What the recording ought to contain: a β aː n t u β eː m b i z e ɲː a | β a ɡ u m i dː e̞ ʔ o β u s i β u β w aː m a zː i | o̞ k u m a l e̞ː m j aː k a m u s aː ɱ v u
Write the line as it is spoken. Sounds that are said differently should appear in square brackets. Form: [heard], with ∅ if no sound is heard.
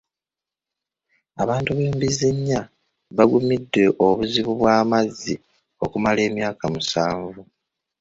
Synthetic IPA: a β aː n t u β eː m b i z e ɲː a | β a ɡ u m i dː e̞ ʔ o β u [z] i β u β w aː m a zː i | o̞ k u m a l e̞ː m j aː k a m u s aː ɱ v u